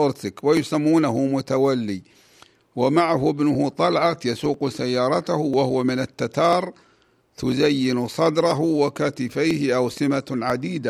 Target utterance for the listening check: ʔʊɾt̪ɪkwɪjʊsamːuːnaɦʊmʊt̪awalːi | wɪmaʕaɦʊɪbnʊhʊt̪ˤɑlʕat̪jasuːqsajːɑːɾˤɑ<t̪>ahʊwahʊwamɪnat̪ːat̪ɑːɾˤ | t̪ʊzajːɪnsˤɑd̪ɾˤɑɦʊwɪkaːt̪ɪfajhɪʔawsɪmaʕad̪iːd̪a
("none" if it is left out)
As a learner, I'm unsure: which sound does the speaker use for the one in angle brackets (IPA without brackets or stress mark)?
t̪